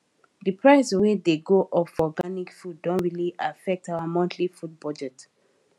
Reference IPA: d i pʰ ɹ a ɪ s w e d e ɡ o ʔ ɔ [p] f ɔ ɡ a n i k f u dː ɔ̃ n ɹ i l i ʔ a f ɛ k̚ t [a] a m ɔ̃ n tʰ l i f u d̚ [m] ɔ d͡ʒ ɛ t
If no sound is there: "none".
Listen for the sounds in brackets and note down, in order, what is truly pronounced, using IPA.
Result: p, a, b

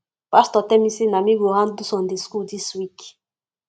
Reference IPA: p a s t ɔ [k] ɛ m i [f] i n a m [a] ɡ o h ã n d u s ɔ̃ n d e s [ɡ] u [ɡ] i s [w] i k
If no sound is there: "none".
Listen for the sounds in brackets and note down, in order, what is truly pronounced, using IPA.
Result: t, s, i, k, d, w

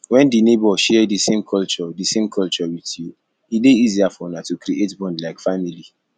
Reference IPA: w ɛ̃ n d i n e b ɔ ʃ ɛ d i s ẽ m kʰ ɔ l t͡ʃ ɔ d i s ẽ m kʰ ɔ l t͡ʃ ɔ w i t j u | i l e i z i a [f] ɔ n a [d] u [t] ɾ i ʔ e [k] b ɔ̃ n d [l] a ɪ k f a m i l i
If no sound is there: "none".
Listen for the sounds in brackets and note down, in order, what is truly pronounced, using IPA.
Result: f, t, k, t, l

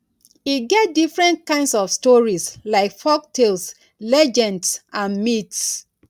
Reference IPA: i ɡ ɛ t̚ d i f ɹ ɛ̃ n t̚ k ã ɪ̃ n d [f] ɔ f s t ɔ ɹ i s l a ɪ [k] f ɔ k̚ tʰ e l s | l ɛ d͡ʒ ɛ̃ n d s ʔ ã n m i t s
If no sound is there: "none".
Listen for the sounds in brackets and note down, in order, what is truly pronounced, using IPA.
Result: s, k

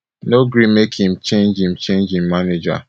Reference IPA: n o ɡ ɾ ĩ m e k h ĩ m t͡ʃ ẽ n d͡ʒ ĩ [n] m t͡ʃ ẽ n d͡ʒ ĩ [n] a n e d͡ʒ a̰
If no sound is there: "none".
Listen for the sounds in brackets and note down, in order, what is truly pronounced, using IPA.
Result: none, m

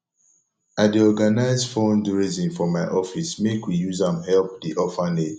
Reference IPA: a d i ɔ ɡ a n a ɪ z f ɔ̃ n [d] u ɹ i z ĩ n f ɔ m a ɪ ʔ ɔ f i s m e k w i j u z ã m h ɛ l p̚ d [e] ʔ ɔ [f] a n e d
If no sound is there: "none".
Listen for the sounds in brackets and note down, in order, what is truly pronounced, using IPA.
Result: d, i, f

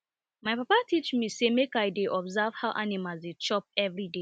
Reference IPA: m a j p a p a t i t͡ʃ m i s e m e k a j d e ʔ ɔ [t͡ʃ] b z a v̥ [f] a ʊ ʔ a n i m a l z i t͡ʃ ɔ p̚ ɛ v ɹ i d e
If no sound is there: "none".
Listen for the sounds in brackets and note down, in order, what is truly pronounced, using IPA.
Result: none, h

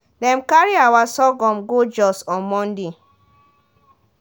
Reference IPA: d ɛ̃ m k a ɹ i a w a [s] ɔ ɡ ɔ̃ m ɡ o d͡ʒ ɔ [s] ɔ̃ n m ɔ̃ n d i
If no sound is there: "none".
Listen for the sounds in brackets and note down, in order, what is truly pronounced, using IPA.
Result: s, s

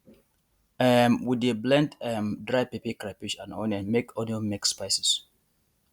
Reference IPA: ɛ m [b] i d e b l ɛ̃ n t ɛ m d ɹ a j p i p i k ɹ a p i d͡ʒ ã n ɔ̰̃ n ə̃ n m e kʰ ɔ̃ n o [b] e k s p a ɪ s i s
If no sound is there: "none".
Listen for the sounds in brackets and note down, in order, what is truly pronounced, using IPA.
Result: w, m

